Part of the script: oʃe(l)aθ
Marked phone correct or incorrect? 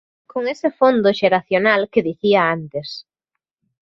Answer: incorrect